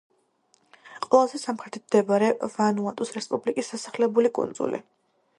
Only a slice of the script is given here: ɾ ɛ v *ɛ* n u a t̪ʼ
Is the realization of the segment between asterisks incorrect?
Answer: yes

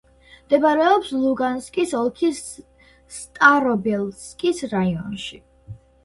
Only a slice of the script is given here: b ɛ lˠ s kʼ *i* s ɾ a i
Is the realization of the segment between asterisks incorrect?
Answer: no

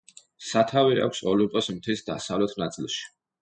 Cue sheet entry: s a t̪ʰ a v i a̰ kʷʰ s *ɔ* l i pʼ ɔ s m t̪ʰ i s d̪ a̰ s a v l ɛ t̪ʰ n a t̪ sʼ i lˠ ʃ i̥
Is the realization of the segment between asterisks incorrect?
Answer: no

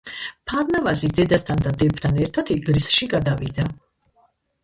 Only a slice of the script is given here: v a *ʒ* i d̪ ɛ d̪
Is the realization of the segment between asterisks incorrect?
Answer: yes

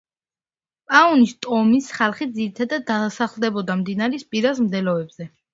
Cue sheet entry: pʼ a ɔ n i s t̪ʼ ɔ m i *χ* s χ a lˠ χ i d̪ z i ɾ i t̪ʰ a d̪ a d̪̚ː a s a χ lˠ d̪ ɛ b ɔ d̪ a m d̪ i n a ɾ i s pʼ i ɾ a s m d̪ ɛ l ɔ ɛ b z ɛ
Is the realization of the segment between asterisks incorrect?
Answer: yes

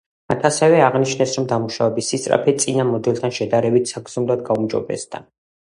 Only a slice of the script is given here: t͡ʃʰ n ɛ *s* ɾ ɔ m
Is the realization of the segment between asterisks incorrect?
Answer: no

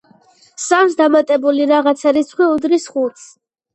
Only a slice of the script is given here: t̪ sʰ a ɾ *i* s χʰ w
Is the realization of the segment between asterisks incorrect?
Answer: no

